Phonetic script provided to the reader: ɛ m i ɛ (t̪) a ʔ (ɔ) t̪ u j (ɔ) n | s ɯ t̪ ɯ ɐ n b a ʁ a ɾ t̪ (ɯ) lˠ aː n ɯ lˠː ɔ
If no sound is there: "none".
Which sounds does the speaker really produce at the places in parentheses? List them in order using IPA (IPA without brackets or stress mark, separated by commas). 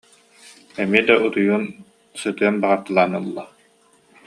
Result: d̪, u, u, ɯ